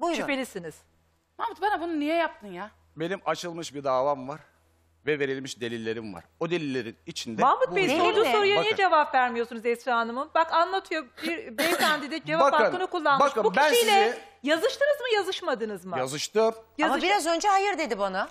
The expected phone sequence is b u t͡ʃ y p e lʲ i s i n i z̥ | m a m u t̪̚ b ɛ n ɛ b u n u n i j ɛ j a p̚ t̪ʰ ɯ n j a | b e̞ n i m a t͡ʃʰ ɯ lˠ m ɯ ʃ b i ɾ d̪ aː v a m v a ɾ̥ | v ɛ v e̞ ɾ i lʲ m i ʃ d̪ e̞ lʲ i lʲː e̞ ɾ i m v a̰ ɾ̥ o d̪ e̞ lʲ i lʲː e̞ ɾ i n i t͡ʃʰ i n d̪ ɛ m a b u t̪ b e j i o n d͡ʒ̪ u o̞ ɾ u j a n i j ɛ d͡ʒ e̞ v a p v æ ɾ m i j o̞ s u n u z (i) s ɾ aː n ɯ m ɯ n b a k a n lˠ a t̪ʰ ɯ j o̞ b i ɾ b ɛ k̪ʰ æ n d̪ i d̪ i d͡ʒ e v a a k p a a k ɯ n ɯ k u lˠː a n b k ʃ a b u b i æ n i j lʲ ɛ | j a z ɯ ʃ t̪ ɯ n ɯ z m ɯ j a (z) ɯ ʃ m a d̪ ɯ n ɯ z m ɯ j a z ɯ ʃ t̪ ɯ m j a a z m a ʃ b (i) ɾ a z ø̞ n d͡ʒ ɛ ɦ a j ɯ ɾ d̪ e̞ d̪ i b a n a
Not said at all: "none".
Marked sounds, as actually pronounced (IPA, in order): ɛ, z, i

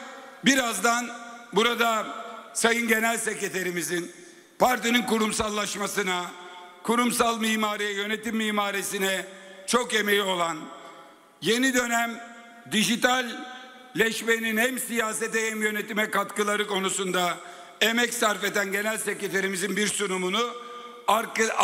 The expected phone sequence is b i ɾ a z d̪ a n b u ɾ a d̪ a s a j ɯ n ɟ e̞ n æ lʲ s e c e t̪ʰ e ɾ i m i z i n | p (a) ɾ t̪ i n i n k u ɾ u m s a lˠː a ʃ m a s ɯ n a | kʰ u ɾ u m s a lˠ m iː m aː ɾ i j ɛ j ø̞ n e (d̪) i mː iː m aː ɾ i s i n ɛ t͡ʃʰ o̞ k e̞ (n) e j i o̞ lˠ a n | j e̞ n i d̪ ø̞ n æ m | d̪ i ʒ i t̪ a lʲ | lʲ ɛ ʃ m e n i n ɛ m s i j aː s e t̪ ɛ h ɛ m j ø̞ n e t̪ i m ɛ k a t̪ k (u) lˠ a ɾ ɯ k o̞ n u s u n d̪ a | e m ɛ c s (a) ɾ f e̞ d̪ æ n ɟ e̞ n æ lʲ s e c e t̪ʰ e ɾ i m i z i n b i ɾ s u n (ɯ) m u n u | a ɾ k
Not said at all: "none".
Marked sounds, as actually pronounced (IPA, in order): a, t̪, m, ɯ, a, u

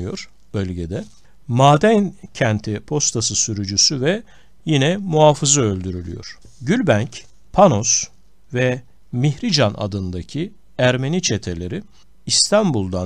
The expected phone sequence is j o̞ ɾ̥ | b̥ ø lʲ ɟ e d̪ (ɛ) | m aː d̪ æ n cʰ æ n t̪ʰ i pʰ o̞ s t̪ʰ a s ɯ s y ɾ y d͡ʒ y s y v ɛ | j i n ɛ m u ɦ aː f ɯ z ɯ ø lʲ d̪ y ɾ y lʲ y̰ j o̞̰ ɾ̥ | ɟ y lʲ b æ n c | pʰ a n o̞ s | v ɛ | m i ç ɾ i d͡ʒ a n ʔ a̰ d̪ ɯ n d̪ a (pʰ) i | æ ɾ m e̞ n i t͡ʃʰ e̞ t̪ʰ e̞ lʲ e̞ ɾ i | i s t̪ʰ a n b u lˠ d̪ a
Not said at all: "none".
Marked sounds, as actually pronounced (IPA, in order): ɛ, cʰ

